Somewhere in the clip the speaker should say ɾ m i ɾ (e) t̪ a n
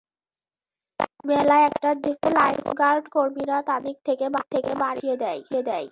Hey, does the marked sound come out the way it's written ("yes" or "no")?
no